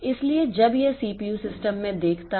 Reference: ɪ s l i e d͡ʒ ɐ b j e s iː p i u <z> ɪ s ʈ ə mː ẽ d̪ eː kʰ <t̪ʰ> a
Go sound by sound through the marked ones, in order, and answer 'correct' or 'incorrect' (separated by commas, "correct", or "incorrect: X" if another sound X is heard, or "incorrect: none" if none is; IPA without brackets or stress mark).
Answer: incorrect: s, incorrect: t̪